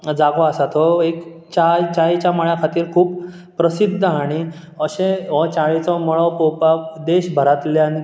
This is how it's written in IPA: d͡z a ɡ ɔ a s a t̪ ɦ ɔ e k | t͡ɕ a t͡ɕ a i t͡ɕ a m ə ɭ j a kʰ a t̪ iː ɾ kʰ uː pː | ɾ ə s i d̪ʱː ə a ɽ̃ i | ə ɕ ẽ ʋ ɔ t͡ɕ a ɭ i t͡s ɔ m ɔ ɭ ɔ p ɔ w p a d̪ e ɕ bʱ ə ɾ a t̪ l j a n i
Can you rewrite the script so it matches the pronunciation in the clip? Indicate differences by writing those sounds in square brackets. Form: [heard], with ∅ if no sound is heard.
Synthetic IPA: d͡z a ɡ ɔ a s a t̪ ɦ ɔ e k | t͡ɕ a t͡ɕ a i t͡ɕ a m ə ɭ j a kʰ a t̪ iː ɾ kʰ uː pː | ɾ ə s i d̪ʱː ə a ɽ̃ i | ə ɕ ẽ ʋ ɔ t͡ɕ a ɭ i t͡s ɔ m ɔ ɭ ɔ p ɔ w p a d̪ e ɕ bʱ ə ɾ a t̪ l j a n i